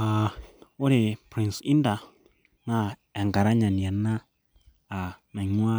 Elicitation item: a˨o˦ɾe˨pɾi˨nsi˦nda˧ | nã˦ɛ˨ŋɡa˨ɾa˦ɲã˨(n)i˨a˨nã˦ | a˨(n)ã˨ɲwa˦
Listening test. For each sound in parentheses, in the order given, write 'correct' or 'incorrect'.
correct, correct

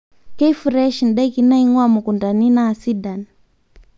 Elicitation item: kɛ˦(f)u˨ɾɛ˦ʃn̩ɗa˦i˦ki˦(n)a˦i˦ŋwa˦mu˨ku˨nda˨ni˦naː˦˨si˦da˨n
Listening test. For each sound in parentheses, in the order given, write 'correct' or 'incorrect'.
correct, correct

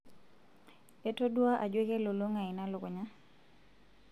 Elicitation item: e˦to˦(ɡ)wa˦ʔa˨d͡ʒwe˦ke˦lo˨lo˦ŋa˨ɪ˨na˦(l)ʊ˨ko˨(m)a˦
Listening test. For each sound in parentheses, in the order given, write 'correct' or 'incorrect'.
incorrect, correct, incorrect

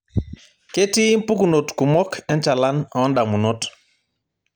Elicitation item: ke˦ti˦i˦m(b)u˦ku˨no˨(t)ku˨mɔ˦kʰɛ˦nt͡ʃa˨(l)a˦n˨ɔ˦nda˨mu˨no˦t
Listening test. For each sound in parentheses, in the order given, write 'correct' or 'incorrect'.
incorrect, correct, correct

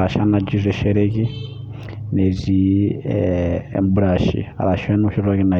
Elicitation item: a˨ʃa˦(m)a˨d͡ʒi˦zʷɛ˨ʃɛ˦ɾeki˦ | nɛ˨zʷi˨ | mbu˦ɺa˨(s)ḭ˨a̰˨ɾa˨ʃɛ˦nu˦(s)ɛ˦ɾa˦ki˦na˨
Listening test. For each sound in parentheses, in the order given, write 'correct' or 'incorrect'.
incorrect, incorrect, incorrect

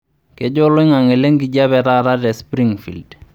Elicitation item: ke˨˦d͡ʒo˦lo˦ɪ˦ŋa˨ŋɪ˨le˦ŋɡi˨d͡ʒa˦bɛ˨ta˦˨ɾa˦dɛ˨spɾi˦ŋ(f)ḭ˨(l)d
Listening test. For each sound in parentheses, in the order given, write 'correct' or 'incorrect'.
correct, correct

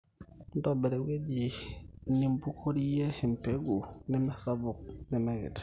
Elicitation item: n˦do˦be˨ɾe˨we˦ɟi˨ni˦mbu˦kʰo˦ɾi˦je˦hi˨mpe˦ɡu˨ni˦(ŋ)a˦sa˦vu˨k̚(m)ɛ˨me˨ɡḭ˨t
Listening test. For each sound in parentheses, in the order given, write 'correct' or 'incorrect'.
incorrect, incorrect

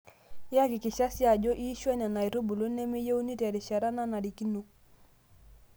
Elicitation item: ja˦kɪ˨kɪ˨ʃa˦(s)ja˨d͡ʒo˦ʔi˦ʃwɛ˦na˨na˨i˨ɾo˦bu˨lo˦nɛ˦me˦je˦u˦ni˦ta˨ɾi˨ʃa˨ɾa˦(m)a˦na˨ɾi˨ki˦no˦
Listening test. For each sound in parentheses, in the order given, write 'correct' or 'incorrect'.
correct, incorrect

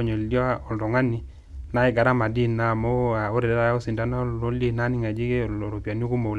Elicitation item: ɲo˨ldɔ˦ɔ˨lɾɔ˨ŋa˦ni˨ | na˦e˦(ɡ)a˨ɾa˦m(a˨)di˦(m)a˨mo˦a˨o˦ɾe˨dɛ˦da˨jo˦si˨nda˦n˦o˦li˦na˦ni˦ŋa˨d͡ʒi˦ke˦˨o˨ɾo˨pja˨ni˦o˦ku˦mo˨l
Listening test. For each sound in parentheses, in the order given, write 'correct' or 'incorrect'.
correct, correct, incorrect

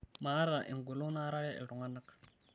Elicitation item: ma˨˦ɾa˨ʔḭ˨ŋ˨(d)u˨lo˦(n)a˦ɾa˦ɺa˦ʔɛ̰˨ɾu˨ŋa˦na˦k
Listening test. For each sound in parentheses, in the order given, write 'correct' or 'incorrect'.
incorrect, correct

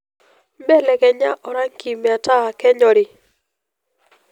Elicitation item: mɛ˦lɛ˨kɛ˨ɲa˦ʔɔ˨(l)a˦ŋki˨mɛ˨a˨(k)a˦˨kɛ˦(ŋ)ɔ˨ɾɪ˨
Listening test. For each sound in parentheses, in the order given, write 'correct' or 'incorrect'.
incorrect, incorrect, incorrect

